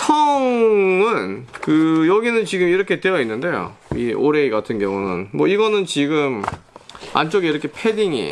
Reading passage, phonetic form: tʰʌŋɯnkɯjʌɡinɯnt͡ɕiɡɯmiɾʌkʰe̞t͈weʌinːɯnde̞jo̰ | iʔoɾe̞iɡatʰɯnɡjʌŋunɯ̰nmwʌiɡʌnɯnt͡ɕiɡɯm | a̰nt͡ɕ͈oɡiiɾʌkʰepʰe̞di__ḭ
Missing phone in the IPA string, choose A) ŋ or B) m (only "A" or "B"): A